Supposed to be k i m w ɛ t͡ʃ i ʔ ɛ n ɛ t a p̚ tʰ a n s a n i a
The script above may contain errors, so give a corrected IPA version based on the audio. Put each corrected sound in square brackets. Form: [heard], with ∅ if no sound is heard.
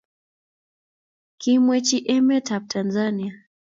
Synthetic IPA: k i m w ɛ t͡ʃ i ʔ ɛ [m] ɛ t a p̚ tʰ a n [z] a n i a